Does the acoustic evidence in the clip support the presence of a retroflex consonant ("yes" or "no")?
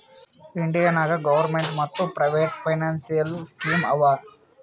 yes